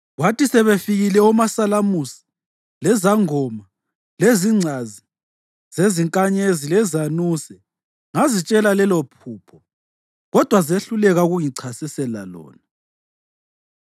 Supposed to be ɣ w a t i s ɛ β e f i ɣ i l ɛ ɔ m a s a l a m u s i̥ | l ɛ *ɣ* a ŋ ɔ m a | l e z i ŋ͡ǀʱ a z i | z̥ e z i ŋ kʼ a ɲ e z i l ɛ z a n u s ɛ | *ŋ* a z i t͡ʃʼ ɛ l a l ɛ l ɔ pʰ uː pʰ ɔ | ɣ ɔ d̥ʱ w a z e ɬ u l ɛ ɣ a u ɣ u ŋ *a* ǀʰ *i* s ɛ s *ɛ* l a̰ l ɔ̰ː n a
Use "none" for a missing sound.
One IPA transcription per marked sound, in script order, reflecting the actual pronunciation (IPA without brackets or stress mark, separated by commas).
z, ŋ, i, a, ɛ